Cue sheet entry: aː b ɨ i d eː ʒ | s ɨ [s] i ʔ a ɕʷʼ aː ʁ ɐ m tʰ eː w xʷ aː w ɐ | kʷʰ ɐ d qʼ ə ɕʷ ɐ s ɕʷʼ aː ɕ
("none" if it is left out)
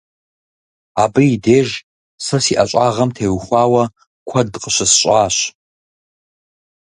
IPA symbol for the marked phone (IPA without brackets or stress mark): s